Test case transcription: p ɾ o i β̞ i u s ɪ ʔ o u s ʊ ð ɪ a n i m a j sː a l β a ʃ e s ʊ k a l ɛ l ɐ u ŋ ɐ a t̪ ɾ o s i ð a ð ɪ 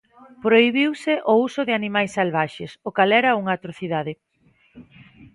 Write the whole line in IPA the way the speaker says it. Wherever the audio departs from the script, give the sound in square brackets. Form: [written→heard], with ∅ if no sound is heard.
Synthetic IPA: p ɾ o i β̞ i [u→w] s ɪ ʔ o u s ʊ ð ɪ a n i m a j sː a l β a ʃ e s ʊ k a l ɛ [l→ɾ] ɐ u ŋ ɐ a t̪ ɾ o [s→θ] i ð a ð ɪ